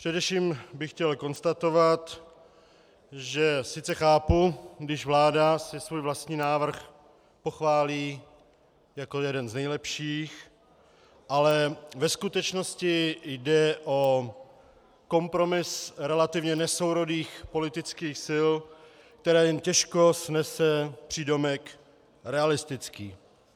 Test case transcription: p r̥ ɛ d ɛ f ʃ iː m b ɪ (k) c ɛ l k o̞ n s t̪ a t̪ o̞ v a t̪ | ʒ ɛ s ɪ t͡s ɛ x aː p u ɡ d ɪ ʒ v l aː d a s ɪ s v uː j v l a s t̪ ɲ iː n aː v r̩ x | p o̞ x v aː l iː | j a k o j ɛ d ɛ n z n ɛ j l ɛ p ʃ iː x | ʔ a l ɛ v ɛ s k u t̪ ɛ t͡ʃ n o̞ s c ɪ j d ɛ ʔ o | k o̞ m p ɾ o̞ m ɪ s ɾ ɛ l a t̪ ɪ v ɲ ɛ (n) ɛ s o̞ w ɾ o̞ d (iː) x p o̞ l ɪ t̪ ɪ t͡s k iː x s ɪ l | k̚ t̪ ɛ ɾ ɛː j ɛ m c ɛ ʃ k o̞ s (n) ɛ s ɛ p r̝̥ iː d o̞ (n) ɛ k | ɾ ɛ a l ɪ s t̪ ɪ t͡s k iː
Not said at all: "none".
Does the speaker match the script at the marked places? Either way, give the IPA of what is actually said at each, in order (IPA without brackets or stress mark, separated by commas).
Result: x, n, iː, n, m